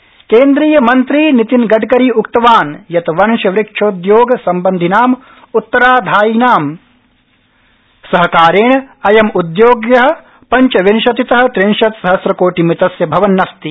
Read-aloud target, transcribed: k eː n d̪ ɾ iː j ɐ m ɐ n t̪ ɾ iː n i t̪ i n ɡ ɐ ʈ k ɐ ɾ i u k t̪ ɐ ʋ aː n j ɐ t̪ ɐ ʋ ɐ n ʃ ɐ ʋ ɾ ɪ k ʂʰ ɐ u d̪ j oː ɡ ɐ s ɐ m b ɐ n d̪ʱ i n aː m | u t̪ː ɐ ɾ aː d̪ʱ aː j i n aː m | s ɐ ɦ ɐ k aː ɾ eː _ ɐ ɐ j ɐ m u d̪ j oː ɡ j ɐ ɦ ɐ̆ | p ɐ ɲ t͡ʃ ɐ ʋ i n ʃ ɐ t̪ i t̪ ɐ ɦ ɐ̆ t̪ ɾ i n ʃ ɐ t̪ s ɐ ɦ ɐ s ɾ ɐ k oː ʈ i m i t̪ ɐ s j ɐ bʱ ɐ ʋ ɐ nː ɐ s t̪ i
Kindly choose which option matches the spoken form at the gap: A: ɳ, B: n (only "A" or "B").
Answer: A